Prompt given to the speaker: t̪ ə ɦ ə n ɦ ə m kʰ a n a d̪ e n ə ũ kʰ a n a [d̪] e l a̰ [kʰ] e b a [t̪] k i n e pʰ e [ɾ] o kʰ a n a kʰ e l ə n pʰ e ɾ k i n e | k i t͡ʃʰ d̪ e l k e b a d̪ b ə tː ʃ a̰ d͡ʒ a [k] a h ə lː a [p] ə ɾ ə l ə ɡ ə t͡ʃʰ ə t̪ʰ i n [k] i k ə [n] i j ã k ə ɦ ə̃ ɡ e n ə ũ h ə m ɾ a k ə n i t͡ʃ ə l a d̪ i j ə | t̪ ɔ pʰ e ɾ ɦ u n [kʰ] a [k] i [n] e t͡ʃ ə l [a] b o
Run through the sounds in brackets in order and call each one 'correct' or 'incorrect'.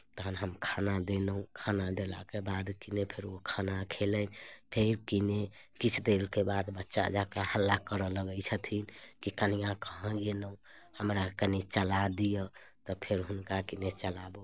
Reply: correct, incorrect: k, incorrect: d̪, correct, correct, incorrect: k, correct, correct, incorrect: k, correct, correct, correct

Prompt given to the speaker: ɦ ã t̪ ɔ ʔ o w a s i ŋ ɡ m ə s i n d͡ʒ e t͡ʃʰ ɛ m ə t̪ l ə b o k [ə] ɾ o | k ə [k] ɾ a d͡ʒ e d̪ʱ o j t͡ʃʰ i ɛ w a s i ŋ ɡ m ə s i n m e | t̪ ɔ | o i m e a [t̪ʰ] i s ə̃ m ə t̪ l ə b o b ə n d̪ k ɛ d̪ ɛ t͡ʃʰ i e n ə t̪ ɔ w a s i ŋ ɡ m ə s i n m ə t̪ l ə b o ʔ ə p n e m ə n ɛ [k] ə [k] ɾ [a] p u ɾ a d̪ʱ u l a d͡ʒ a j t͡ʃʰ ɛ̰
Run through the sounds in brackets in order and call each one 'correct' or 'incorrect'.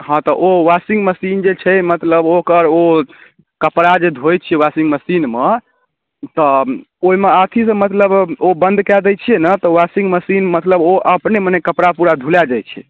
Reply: correct, incorrect: p, correct, correct, incorrect: p, correct

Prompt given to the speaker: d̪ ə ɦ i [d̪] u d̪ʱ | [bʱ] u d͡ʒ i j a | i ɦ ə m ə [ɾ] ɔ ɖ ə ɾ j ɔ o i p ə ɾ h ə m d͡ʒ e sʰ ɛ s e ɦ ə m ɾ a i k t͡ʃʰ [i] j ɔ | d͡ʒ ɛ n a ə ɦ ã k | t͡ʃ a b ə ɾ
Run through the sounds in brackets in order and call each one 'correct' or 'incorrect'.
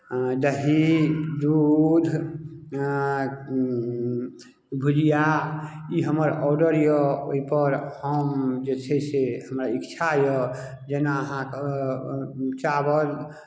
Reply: correct, correct, correct, incorrect: a

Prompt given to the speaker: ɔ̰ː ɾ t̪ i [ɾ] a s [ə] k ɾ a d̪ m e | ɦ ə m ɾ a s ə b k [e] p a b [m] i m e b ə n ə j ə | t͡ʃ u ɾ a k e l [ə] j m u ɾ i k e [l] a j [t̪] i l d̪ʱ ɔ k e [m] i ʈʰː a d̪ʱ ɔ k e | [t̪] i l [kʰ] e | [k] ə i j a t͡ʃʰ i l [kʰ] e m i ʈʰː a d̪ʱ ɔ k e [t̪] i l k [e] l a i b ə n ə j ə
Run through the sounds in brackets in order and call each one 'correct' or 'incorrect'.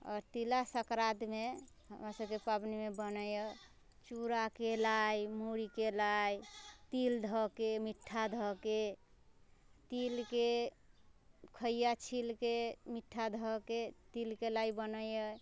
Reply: incorrect: l, correct, correct, incorrect: n, incorrect: a, correct, correct, correct, correct, incorrect: k, incorrect: kʰ, incorrect: k, correct, correct

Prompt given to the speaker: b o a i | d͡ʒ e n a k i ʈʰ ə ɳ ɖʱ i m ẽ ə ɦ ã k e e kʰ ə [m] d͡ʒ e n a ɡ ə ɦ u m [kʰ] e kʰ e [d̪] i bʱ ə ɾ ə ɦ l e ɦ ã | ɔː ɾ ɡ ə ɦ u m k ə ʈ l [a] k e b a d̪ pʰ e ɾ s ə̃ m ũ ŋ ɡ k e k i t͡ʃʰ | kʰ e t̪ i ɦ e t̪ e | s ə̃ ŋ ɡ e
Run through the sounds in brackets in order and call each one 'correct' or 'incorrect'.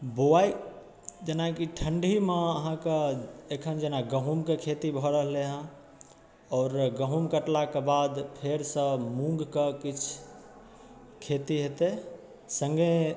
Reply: incorrect: n, incorrect: k, incorrect: t̪, correct

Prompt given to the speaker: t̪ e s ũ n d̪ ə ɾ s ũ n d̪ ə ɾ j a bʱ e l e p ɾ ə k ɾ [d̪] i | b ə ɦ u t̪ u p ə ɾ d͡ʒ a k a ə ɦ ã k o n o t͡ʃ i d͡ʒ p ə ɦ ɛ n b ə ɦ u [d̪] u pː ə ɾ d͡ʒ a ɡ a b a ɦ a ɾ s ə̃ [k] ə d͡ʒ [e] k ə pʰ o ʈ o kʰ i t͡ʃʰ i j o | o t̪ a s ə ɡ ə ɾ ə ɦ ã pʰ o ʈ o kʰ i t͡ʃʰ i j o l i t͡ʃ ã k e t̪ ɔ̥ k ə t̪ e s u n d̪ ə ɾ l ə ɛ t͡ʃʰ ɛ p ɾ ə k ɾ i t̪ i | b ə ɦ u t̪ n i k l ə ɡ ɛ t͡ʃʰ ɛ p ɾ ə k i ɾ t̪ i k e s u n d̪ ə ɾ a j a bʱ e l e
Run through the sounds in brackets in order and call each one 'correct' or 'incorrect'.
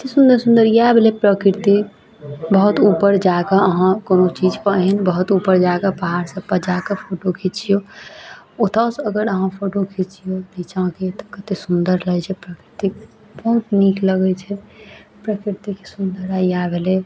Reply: incorrect: t̪, incorrect: t̪, incorrect: p, incorrect: a

